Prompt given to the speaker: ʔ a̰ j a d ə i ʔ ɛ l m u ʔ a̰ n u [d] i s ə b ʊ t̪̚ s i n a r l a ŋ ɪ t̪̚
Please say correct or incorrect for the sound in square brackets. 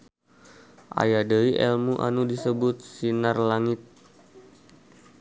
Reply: correct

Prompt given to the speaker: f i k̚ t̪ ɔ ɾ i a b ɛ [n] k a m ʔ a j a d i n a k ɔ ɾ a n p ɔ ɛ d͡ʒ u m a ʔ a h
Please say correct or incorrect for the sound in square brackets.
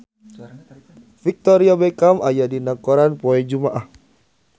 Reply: incorrect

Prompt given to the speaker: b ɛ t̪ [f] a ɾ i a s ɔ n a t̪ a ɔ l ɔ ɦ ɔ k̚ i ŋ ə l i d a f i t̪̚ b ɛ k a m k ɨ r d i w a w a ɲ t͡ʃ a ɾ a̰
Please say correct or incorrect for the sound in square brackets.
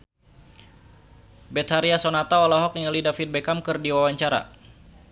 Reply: incorrect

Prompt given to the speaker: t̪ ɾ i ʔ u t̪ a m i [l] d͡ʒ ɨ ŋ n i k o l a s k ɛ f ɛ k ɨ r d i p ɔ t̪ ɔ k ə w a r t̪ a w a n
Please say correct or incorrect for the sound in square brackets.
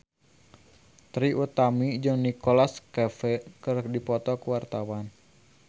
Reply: incorrect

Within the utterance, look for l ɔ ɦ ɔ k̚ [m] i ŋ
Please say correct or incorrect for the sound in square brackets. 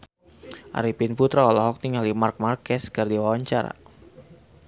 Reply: incorrect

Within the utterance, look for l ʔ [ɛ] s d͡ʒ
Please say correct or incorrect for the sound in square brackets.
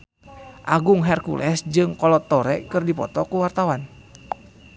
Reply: correct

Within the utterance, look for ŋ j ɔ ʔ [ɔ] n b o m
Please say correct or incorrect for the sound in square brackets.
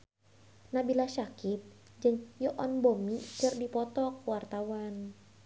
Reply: correct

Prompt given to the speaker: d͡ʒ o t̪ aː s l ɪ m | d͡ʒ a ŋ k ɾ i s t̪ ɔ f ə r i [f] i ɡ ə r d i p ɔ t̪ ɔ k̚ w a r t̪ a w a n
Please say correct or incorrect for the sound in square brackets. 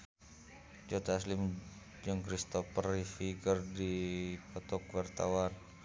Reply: correct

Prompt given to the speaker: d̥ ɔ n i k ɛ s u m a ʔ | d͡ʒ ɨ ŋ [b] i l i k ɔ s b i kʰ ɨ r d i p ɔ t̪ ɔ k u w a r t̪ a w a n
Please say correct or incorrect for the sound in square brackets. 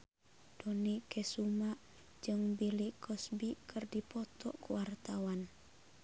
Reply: correct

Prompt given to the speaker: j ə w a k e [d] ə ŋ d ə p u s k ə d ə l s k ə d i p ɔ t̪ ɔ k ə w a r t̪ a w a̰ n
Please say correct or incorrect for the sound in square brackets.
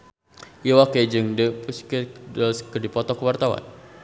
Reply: incorrect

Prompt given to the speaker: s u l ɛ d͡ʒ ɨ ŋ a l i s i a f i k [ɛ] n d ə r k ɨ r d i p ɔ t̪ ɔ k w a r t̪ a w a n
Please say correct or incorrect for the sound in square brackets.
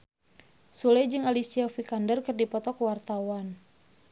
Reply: incorrect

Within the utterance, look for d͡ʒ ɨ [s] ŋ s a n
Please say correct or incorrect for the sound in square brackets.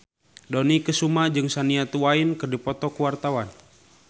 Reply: incorrect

